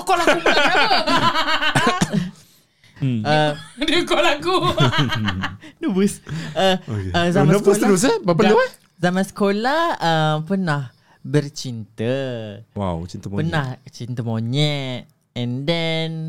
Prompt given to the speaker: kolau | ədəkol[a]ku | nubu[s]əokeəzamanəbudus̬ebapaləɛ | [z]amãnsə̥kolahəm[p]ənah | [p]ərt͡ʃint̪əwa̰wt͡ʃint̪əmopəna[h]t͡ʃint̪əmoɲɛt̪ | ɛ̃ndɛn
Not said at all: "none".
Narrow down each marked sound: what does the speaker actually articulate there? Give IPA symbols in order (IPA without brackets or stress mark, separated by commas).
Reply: a, s, z, p, b, h